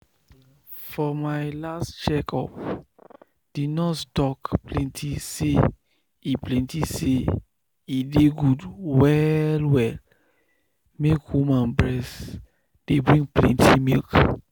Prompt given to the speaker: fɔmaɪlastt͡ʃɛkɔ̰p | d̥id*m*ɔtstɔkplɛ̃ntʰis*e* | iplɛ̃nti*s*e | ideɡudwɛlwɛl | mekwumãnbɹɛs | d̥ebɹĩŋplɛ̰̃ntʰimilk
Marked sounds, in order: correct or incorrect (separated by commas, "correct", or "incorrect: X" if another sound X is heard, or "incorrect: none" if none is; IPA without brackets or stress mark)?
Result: incorrect: n, correct, correct